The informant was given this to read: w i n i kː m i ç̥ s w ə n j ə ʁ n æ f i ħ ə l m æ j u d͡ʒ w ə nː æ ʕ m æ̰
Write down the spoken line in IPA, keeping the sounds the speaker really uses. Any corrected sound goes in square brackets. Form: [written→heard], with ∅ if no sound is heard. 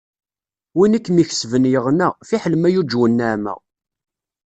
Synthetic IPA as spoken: w i n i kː m i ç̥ s [w→v] ə n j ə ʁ n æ f i ħ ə l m æ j u d͡ʒ w ə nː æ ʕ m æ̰

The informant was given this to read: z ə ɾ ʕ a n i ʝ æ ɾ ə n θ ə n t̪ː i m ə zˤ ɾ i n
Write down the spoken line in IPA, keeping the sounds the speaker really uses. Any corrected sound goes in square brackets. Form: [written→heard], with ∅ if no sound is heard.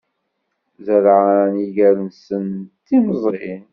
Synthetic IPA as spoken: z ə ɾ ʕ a n i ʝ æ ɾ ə n [θ→s] ə n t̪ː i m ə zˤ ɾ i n

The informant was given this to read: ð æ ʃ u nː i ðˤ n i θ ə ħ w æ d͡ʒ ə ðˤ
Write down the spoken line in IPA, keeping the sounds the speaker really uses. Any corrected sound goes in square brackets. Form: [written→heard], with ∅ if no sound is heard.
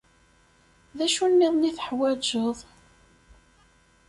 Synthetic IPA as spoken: ð æ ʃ u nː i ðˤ n i θ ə ħ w æ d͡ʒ ə ðˤ

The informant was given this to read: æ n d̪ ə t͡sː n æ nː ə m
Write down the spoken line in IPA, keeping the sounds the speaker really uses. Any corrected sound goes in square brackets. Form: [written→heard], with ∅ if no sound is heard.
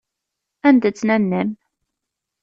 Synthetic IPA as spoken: æ n d̪ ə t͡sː n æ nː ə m

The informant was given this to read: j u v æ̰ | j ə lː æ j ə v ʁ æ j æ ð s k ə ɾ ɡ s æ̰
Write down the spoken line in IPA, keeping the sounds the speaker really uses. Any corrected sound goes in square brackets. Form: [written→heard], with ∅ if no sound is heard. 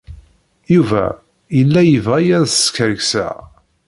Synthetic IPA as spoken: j u v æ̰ | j ə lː æ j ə v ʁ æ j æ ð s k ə ɾ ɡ s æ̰

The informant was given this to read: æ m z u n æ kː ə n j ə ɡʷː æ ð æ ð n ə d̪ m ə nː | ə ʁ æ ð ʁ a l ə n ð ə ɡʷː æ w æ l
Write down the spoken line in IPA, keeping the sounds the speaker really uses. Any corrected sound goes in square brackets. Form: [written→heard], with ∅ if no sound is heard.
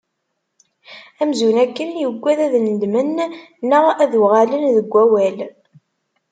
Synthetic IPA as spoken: æ m z u n æ kː ə n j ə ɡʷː æ ð æ ð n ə d̪ m ə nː | ə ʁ æ ð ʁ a l ə n ð ə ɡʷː æ w æ l

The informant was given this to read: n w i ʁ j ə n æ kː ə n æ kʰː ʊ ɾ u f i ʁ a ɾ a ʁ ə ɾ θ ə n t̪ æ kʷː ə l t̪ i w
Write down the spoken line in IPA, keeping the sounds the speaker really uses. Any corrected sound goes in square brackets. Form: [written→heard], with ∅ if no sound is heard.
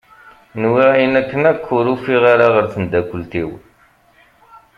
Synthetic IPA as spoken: n w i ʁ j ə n æ kː ə n æ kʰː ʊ ɾ u f i ʁ a ɾ a ʁ ə ɾ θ ə n [t̪→d̪] æ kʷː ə l t̪ i w

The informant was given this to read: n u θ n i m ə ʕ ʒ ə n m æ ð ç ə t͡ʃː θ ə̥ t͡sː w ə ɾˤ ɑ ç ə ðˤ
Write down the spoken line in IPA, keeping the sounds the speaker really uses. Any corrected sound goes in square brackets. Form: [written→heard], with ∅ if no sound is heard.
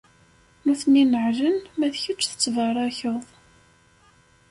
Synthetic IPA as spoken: n u θ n i [m→n] ə ʕ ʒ ə n m æ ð ç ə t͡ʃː θ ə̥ t͡sː [w→v] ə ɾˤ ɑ ç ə ðˤ

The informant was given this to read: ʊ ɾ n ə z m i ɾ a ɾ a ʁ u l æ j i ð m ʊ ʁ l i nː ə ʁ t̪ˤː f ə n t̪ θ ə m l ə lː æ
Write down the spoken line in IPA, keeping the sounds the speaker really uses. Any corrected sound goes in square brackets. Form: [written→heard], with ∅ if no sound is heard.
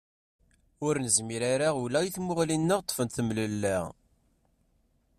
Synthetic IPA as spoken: ʊ ɾ n ə z m i ɾ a ɾ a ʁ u l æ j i [ð→θ] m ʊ ʁ l i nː ə ʁ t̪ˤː f ə n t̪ θ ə m l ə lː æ

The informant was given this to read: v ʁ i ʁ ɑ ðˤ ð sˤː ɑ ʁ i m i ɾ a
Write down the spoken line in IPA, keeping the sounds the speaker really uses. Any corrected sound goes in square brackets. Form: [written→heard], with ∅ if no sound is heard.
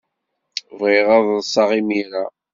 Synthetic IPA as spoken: v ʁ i ʁ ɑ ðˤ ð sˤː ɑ ʁ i m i ɾ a

